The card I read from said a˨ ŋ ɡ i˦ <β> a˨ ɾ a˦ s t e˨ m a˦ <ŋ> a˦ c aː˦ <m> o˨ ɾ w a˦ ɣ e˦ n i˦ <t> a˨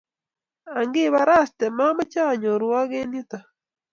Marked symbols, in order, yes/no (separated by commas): yes, no, no, yes